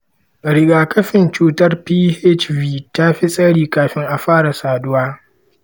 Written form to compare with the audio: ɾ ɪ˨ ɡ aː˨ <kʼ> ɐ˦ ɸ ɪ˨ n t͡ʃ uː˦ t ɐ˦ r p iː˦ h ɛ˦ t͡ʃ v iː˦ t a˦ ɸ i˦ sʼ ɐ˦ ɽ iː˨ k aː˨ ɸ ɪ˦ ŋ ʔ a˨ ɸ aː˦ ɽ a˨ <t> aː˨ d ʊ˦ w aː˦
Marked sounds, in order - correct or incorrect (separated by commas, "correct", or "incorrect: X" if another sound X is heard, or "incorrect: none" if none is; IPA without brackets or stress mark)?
incorrect: k, incorrect: s